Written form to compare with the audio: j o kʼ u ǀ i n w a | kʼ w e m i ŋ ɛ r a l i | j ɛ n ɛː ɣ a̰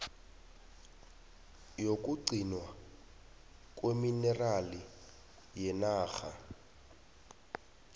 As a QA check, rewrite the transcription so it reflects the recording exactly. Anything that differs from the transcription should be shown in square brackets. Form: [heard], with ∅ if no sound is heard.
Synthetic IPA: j o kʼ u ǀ i n w a | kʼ w e m i [n] ɛ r a l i | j ɛ n [aː] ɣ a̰